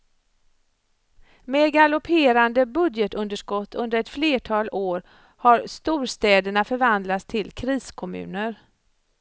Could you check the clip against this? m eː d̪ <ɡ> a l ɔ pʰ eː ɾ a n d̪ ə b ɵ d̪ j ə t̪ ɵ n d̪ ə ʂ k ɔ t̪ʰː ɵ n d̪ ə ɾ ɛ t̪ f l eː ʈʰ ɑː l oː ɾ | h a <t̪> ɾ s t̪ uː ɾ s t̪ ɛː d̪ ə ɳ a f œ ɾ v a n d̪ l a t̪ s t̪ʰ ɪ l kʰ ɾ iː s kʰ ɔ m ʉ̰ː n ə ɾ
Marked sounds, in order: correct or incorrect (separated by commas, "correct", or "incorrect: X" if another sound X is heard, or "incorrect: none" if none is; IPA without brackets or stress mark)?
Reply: correct, incorrect: none